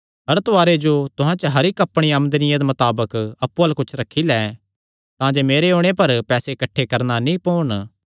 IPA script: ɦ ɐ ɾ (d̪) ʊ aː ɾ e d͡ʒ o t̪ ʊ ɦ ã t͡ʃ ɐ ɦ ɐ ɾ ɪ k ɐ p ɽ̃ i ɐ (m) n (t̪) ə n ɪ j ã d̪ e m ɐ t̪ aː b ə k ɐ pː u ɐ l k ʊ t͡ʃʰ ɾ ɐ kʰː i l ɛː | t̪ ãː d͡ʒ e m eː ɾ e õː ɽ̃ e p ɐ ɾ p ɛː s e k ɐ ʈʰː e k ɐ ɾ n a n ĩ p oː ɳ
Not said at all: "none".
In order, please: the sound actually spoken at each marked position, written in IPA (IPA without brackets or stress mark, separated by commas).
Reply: t̪, m, d̪